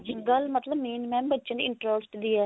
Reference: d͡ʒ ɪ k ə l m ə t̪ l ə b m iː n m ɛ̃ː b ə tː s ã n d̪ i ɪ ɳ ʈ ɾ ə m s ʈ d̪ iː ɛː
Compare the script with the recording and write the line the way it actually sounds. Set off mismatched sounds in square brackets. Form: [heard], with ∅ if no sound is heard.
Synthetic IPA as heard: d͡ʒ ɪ [ɡ] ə l m ə t̪ l ə b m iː n m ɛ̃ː b ə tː [ʃ] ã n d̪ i ɪ ɳ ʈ ɾ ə [∅] s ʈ d̪ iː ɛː